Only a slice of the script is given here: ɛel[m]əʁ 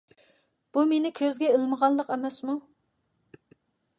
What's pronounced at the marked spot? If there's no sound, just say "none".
m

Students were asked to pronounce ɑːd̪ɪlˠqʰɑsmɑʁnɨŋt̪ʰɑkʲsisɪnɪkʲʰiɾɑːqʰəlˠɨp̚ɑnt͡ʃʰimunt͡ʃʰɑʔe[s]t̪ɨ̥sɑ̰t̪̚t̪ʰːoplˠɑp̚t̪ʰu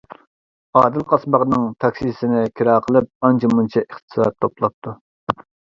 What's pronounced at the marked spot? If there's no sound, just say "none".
χ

